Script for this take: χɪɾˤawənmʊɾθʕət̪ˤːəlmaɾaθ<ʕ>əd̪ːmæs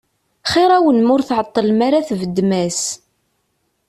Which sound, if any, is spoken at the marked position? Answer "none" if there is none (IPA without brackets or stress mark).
v